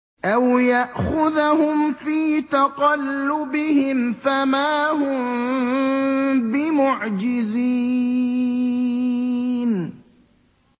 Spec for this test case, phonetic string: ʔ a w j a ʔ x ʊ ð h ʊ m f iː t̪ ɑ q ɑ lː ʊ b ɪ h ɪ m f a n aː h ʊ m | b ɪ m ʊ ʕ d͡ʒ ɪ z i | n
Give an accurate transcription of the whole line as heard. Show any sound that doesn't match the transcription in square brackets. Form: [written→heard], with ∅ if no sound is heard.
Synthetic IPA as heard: ʔ a w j a ʔ x ʊ ð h ʊ m f iː t̪ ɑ q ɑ lː ʊ b ɪ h ɪ m f a [n→m] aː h ʊ m | b ɪ m ʊ ʕ d͡ʒ ɪ z i | n